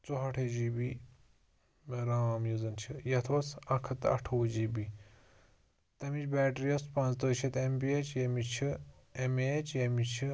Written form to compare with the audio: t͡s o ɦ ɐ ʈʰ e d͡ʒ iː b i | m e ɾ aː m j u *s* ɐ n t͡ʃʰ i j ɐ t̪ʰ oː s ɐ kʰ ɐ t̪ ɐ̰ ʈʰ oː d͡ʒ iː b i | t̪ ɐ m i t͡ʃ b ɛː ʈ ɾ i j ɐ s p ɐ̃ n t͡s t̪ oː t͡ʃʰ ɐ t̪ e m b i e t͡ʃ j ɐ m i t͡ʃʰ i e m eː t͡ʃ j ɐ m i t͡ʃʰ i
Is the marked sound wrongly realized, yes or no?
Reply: yes